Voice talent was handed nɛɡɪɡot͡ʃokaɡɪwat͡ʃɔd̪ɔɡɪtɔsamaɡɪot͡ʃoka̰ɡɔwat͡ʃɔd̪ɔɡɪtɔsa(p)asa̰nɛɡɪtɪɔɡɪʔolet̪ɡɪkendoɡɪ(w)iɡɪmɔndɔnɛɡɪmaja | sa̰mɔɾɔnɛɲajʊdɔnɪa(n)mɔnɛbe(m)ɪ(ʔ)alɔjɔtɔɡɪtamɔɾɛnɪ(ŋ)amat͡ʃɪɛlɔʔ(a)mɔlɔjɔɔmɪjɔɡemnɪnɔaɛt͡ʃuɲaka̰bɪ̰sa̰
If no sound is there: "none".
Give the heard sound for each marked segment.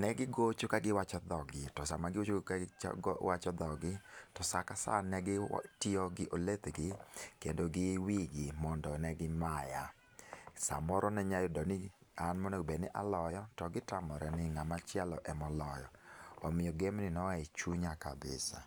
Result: k, w, n, n, ʔ, ŋ, ɛ

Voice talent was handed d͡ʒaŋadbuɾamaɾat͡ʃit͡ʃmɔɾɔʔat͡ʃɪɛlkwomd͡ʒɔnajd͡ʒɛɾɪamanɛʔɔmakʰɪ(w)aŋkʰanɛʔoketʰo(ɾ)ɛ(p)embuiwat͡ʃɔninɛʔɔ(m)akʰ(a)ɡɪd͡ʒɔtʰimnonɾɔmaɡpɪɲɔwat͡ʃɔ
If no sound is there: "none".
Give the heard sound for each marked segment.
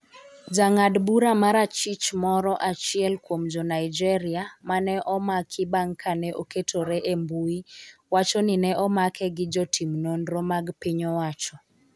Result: b, ɾ, ʔ, m, ɛ

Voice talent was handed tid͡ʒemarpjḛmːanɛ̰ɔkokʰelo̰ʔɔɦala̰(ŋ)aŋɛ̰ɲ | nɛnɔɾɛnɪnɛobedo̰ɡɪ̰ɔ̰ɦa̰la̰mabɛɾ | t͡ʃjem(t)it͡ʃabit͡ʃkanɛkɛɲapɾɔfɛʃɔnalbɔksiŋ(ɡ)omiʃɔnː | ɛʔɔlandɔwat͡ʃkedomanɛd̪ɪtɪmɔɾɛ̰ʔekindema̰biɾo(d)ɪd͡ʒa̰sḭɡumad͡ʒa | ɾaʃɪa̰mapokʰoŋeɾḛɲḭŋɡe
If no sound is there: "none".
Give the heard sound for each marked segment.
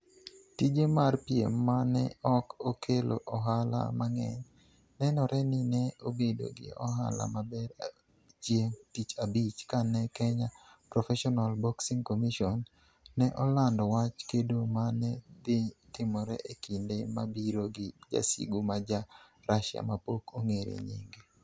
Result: m, t, k, ɡ

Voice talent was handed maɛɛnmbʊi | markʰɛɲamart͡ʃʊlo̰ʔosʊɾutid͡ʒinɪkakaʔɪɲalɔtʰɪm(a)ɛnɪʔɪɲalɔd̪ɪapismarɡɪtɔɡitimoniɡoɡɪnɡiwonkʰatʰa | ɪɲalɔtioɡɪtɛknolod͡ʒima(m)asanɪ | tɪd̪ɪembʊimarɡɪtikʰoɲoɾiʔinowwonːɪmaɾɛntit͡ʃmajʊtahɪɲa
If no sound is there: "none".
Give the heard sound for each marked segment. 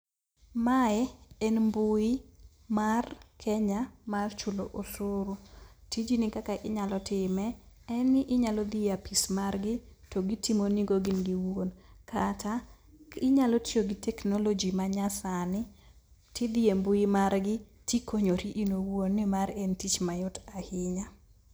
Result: ɛ, ɲ

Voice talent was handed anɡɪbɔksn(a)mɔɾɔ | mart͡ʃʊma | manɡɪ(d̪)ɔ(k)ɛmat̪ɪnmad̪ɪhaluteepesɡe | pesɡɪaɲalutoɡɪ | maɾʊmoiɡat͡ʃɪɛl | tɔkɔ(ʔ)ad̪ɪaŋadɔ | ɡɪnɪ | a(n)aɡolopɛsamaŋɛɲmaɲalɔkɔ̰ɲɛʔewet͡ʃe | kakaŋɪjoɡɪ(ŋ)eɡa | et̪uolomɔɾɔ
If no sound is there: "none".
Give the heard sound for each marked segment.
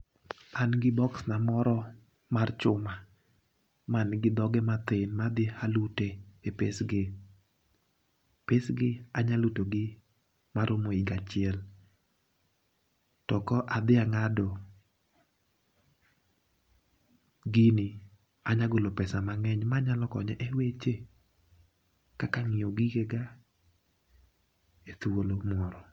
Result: a, d̪, ɡ, ʔ, ɲ, ɡ

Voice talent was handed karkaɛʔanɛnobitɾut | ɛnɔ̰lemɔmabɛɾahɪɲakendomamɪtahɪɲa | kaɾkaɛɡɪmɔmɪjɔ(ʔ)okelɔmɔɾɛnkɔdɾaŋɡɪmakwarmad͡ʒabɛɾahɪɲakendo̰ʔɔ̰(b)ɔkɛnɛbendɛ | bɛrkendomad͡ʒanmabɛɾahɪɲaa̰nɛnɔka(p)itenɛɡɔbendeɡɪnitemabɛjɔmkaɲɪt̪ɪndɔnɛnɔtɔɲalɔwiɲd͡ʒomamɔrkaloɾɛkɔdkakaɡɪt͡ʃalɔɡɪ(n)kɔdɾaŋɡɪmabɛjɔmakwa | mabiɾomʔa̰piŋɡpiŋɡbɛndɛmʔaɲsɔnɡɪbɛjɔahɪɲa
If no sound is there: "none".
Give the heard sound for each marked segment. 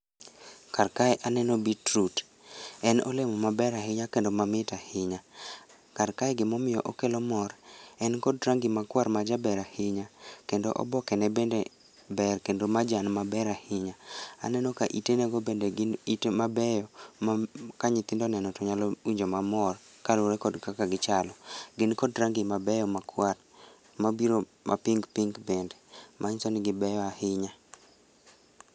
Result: ʔ, b, ʔ, n

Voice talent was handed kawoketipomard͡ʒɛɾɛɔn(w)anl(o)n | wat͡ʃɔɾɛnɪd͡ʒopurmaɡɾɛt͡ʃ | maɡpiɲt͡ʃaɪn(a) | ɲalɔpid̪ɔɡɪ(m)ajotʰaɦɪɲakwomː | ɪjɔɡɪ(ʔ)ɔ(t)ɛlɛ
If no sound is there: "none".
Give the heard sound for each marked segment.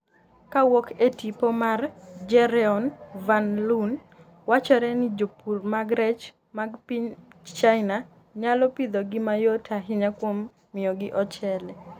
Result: v, u, a, m, ʔ, t͡ʃ

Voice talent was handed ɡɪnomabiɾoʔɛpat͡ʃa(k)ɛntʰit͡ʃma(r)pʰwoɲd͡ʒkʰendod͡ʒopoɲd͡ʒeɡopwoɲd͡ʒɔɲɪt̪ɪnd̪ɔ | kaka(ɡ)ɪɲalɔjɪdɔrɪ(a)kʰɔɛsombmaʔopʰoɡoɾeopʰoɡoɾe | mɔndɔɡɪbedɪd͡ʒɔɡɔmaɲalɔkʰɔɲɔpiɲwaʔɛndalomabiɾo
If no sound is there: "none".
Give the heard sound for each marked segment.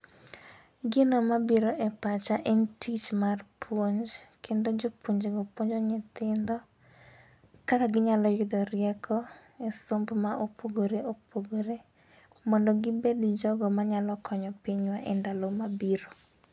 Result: ʔ, r, ɡ, ɛ

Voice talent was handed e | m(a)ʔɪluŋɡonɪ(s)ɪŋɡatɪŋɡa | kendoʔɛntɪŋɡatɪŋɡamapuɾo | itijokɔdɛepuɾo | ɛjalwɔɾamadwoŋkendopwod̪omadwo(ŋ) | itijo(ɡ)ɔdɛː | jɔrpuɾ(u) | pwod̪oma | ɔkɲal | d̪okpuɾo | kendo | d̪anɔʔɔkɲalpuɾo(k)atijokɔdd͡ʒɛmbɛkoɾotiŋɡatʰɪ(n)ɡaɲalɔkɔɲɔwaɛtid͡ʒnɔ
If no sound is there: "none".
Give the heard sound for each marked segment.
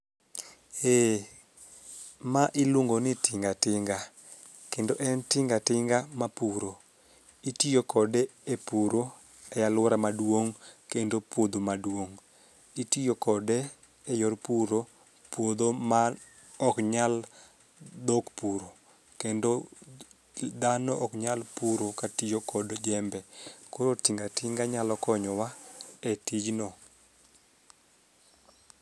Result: a, t, ŋ, k, o, k, ŋ

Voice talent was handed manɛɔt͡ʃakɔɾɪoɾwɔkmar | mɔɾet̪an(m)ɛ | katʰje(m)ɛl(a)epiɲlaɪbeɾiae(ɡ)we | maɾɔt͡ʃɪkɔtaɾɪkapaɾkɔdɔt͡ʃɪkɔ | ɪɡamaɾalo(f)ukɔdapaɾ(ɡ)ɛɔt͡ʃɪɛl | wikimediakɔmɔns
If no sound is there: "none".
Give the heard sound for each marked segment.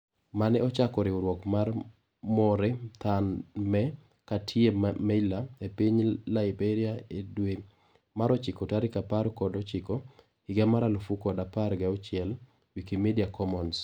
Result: m, m, a, d, f, ɡ

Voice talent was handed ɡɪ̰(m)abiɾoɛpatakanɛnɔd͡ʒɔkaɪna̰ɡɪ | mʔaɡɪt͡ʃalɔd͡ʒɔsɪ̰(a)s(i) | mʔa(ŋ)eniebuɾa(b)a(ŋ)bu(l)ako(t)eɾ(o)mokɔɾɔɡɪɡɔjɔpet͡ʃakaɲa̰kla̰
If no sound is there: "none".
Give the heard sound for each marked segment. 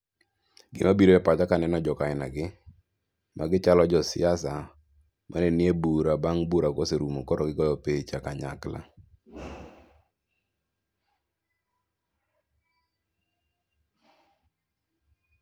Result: m, a, a, n, b, ŋ, ɾ, s, u

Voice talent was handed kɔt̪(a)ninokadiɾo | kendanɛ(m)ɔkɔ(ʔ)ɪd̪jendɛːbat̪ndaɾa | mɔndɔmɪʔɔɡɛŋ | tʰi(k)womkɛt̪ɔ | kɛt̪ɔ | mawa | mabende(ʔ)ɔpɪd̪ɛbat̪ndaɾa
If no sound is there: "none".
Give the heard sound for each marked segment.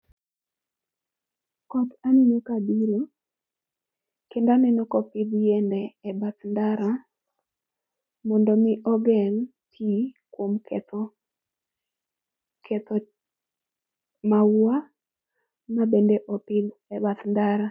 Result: a, n, p, k, ʔ

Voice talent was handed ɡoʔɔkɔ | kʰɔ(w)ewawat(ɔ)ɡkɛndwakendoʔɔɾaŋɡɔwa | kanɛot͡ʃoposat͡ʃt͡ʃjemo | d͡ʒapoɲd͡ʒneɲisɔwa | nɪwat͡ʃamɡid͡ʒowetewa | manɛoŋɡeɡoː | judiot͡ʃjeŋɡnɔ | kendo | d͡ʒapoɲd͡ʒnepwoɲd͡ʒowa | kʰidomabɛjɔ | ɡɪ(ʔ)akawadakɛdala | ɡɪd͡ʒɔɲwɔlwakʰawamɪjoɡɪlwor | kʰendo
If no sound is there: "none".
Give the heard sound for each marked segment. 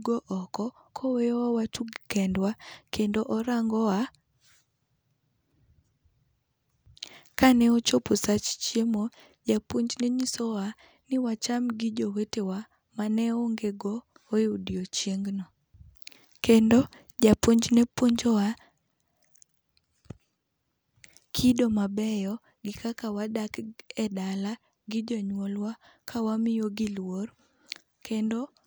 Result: w, u, k

